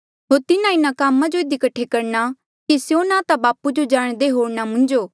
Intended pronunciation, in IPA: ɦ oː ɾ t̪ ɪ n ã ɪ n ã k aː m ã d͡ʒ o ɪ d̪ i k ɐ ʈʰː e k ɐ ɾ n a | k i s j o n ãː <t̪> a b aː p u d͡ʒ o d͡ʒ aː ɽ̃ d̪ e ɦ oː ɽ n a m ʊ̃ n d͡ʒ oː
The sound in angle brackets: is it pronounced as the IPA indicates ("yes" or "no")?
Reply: yes